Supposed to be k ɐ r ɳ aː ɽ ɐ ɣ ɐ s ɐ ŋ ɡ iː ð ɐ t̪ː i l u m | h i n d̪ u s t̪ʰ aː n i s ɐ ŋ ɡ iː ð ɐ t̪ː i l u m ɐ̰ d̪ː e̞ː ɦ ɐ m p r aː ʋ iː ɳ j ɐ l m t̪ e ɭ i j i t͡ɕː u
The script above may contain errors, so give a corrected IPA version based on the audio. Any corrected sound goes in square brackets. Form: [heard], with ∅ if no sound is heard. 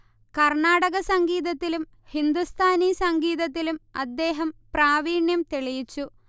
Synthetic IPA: k ɐ r ɳ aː ɽ ɐ ɣ ɐ s ɐ ŋ ɡ iː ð ɐ t̪ː i l u m | h i n d̪ u s t̪ʰ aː n i s ɐ ŋ ɡ iː ð ɐ t̪ː i l u m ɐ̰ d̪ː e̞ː ɦ ɐ m p r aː ʋ iː ɳ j ɐ [∅] m t̪ e ɭ i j i t͡ɕː u